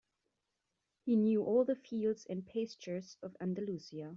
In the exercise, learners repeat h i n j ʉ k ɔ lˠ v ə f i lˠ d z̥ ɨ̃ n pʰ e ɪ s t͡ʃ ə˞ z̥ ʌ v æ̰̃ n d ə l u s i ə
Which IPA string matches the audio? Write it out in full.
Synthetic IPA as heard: h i n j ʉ ʔ ɔ lˠ ð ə f i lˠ d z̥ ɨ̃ n pʰ e ɪ s t͡ʃ ə˞ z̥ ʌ v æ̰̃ n d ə l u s i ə